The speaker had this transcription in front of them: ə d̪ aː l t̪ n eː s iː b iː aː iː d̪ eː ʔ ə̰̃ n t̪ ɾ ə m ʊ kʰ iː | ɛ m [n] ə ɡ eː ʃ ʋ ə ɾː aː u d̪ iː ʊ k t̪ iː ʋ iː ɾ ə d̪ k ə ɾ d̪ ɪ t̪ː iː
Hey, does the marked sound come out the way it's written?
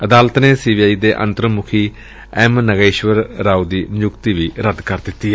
yes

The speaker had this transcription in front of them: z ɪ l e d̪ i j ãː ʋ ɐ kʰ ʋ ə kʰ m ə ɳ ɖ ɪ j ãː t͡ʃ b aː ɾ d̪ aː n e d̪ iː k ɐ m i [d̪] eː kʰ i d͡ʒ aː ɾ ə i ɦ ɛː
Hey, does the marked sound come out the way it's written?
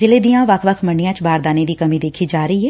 yes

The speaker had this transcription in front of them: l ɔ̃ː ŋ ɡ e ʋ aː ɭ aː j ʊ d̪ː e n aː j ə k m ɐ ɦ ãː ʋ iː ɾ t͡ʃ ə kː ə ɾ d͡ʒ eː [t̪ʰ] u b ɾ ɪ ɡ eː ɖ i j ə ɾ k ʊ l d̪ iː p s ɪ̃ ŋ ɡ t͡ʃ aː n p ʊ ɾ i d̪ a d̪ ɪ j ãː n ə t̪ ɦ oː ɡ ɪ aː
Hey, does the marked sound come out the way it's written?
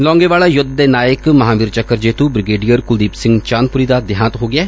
no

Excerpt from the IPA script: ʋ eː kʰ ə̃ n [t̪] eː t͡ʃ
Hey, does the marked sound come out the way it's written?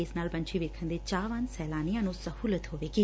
no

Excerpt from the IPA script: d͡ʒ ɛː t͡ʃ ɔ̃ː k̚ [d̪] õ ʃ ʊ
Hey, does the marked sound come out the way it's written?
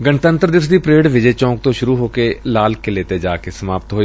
no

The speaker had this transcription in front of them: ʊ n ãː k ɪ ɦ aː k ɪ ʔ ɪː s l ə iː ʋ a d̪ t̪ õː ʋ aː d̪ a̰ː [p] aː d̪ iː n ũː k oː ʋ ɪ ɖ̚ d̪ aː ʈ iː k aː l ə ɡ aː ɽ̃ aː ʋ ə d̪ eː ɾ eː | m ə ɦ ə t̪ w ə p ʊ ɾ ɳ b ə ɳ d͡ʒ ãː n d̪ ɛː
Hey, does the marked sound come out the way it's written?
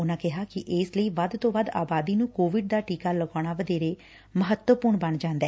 no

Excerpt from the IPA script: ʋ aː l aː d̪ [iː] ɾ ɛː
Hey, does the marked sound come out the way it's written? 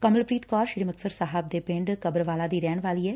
yes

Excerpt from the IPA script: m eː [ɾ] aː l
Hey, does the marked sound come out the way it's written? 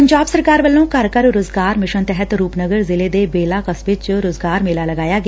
no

